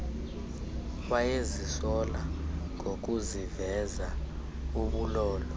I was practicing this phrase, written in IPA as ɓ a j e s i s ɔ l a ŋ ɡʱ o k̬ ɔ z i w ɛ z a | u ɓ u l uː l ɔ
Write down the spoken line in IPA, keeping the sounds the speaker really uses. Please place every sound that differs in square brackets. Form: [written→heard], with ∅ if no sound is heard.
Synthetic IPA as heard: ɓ a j e [s→z] i s ɔ l a ŋ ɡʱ o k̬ [ɔ→u] z i [w→v] ɛ z a | u ɓ u l [uː→ɔː] l ɔ